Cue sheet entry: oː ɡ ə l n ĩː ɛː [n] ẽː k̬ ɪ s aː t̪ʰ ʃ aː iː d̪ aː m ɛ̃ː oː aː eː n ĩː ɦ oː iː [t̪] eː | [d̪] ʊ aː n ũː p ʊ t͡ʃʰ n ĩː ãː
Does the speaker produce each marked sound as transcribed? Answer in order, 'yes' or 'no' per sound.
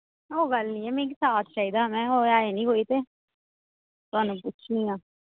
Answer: no, yes, no

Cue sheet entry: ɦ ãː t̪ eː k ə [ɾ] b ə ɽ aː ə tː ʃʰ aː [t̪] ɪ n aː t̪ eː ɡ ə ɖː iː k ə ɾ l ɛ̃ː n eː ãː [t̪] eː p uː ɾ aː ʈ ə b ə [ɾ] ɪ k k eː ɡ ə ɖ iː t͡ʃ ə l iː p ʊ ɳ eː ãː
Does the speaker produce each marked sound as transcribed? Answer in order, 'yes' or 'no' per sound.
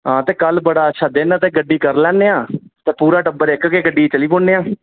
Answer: no, no, yes, yes

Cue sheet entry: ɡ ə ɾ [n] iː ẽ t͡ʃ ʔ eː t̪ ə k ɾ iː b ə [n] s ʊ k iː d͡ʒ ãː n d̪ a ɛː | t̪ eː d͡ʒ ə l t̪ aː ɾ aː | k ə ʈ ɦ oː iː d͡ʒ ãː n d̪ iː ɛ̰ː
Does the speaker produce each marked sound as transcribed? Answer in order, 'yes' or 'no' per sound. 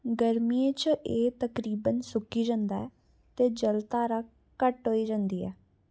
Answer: no, yes

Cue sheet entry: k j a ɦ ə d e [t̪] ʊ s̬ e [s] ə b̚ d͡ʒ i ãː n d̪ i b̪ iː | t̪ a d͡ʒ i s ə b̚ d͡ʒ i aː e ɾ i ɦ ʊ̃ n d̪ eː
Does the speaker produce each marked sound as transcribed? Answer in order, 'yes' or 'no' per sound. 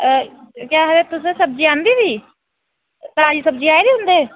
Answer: yes, yes

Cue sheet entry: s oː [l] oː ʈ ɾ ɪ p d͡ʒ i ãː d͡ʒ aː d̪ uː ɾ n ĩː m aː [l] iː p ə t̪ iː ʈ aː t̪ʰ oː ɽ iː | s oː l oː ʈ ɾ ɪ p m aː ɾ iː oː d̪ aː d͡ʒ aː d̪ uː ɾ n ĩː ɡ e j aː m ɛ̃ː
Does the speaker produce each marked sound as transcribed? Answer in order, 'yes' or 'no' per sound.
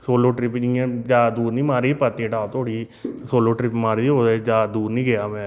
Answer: yes, no

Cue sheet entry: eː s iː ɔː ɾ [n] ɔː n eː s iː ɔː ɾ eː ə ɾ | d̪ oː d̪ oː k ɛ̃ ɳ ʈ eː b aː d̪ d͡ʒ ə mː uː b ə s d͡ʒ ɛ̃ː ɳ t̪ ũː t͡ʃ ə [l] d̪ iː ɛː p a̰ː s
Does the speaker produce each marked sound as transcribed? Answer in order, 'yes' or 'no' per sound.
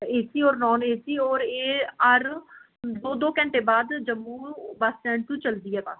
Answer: yes, yes

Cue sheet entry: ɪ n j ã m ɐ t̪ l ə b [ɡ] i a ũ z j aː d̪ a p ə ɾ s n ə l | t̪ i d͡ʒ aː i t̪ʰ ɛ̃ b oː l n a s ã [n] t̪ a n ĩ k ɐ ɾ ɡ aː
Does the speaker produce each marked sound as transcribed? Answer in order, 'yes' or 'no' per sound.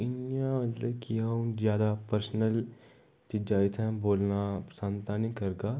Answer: no, yes

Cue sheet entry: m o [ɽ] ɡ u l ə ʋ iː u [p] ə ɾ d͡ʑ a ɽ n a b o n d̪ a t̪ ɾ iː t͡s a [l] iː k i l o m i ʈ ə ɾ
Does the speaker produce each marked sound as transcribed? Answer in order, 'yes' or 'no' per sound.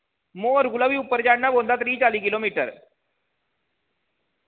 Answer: no, yes, yes

